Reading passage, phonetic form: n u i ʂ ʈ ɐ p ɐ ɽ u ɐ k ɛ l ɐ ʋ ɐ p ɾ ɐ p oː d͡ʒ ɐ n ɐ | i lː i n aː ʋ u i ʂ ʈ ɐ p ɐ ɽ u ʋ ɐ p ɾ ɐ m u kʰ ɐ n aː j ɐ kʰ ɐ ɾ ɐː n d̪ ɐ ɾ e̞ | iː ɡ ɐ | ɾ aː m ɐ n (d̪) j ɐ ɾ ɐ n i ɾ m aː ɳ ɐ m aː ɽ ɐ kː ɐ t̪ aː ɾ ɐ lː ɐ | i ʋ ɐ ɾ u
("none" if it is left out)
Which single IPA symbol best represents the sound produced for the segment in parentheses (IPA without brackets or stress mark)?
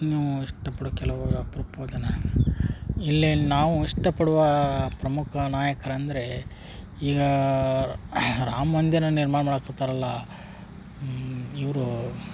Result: d̪